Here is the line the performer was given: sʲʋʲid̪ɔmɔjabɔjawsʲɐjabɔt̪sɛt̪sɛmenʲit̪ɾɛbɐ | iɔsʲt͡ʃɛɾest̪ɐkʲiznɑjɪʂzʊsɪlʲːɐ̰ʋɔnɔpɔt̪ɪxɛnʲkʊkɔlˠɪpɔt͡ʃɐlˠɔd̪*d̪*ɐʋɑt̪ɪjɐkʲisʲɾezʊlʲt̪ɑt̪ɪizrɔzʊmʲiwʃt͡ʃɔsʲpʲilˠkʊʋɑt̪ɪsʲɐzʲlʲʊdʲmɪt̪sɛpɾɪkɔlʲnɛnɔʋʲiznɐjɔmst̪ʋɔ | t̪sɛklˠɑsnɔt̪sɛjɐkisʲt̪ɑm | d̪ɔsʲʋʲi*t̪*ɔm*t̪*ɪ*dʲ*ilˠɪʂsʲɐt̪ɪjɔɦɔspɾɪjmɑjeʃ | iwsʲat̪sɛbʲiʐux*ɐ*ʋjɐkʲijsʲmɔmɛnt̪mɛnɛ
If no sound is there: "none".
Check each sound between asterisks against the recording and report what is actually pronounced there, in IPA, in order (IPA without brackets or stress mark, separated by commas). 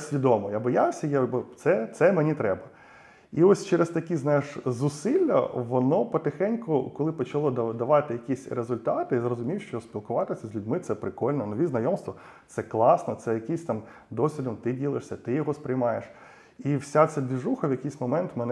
d̪, d̪, t̪, dʲ, ɐ